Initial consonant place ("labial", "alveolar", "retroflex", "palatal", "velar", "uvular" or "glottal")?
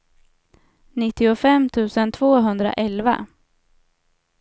alveolar